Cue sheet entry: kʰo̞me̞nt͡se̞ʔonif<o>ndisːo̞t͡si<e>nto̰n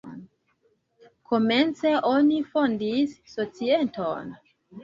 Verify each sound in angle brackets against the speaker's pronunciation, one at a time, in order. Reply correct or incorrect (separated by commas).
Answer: correct, correct